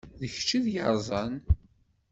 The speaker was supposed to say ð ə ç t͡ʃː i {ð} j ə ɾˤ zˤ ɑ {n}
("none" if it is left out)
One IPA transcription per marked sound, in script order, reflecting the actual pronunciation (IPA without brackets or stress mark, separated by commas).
ð, n